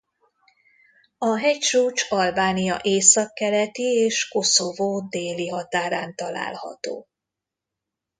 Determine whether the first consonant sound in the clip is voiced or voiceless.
voiced